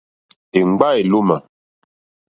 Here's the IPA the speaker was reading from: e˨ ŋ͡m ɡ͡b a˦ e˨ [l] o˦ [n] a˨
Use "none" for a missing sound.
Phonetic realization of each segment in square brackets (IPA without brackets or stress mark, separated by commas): l, m